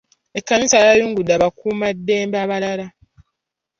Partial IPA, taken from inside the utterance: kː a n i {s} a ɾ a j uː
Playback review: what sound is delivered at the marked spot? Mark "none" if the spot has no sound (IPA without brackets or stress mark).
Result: s